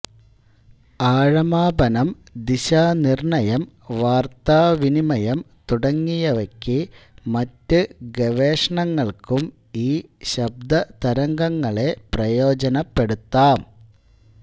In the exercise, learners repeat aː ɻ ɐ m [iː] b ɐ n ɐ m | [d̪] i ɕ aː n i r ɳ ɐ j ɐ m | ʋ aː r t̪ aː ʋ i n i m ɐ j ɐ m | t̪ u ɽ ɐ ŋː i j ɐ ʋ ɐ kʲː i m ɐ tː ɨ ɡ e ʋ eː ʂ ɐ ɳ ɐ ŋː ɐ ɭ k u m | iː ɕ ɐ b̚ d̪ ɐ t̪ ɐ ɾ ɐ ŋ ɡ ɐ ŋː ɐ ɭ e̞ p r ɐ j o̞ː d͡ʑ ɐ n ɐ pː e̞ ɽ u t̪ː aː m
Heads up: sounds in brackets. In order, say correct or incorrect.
incorrect: aː, correct

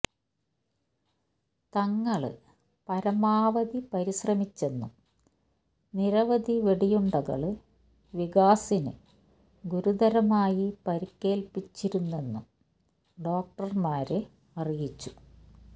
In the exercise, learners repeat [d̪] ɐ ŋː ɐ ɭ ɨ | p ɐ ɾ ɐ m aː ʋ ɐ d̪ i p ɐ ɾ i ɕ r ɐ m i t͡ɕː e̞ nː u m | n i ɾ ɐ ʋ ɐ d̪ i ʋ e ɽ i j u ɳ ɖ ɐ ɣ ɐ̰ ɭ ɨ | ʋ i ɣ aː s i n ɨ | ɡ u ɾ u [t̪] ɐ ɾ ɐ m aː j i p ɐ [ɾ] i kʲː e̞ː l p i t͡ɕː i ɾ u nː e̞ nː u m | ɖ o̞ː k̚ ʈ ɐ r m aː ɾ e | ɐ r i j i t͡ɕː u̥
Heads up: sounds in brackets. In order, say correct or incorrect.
incorrect: t̪, incorrect: d̪, correct

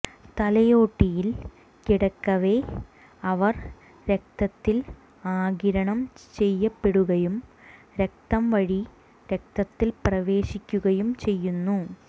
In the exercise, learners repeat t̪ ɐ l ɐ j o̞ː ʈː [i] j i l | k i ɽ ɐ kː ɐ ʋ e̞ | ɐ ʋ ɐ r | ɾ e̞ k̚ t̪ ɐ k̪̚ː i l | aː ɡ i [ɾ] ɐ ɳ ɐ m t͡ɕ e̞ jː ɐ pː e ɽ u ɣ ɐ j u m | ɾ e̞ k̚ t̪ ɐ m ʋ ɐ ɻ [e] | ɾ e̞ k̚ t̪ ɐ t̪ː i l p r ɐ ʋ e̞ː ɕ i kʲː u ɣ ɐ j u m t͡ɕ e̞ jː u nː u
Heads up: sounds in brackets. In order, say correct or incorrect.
correct, correct, incorrect: i

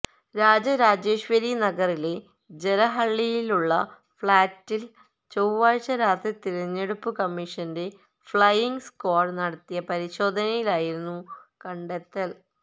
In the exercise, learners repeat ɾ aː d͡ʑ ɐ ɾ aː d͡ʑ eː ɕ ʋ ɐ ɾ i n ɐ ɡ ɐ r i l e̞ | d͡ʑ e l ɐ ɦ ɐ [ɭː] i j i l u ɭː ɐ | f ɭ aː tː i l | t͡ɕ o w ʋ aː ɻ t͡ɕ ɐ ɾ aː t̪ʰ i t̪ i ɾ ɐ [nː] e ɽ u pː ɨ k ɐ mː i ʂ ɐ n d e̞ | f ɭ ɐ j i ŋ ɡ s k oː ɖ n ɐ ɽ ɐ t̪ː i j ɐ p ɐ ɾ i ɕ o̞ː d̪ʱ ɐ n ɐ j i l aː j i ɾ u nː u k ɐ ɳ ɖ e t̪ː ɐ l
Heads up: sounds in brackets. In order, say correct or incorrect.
correct, incorrect: ɲː

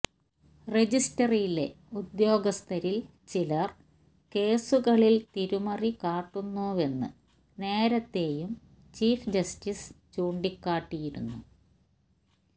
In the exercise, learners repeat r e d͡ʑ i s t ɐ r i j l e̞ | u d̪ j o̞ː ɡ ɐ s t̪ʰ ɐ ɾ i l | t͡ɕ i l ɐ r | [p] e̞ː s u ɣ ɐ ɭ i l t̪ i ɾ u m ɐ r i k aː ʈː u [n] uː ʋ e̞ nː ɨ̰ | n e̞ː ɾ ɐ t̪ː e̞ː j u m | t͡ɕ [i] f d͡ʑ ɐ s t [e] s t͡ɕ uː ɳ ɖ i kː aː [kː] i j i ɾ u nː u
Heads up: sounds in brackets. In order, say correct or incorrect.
incorrect: k, incorrect: nː, incorrect: iː, incorrect: i, incorrect: ʈː

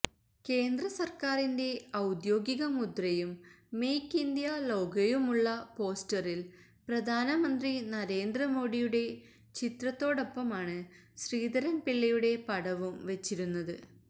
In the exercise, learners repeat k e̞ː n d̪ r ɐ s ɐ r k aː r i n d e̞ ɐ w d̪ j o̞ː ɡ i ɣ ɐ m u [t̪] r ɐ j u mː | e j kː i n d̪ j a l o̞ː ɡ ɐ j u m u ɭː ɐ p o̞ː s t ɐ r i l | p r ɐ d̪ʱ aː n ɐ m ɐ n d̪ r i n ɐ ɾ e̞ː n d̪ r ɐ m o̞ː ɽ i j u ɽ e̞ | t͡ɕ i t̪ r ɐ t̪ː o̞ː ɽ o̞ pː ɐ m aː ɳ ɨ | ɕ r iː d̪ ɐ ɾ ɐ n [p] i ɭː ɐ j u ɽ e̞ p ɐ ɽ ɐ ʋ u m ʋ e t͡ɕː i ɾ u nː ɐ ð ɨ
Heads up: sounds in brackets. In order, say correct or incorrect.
incorrect: d̪, correct

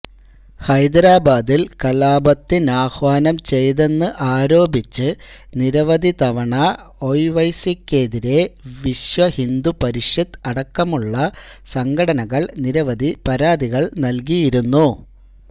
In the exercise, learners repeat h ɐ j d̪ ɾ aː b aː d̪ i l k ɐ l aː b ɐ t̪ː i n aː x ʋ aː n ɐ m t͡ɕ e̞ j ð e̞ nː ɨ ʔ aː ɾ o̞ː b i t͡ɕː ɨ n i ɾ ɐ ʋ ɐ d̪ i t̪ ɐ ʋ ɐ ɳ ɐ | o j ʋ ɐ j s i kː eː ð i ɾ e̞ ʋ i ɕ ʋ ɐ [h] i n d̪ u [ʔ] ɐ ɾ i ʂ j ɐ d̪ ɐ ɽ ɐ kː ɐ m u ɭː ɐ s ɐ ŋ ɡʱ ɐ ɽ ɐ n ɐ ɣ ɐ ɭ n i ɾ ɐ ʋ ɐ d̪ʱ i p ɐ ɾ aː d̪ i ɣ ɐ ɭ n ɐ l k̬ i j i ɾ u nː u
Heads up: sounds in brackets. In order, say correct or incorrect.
correct, incorrect: p

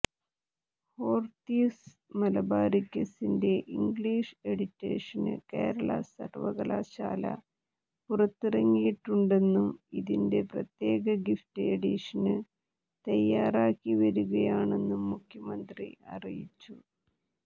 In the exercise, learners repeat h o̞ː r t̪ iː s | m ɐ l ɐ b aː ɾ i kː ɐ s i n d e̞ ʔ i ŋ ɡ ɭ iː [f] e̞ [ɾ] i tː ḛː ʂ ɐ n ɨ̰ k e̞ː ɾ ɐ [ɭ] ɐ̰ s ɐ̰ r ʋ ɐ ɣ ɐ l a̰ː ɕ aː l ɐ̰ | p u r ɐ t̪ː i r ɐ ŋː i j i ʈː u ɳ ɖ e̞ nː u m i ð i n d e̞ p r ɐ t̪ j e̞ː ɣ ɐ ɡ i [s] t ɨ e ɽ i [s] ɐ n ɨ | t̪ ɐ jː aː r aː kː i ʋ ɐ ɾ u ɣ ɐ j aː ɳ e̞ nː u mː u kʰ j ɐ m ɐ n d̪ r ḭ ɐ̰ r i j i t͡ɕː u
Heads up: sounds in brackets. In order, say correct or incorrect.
incorrect: ʂ, incorrect: ɽ, correct, incorrect: f, incorrect: ʂ

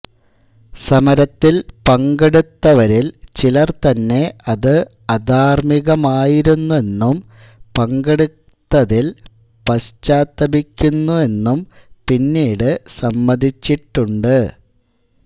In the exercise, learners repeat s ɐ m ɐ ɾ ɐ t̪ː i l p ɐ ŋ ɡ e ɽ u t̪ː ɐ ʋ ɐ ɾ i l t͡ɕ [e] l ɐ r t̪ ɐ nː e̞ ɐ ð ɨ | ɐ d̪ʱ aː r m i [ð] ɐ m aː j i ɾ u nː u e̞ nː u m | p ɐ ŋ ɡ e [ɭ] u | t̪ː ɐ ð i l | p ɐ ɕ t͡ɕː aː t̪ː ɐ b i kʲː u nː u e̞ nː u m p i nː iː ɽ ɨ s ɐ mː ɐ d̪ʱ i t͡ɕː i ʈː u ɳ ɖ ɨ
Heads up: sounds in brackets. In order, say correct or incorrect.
incorrect: i, incorrect: ɣ, incorrect: ɽ

